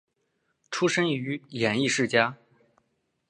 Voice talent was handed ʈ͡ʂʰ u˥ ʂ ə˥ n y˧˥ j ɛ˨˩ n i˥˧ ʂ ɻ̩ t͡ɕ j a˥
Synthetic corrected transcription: ʈ͡ʂʰ u˥ ʂ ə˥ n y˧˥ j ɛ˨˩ n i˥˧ ʂ ɻ̩ t͡ɕ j a˥